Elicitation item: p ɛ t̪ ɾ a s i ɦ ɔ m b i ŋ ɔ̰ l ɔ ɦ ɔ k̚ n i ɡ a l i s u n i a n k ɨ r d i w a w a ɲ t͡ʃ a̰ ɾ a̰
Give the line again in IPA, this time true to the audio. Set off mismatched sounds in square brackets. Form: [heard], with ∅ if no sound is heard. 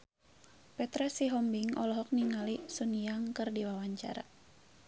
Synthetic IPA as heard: p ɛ t̪ ɾ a s i ɦ ɔ m b i ŋ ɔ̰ l ɔ ɦ ɔ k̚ n i [ŋ] a l i s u n i a [ŋ] k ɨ r d i w a w a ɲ t͡ʃ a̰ ɾ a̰